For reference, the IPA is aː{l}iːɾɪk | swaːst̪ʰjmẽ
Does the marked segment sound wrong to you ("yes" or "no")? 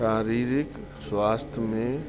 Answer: yes